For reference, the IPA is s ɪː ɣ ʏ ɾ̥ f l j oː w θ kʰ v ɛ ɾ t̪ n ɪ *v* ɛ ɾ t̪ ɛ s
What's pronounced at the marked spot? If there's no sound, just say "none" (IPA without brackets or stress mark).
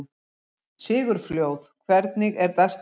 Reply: ɣ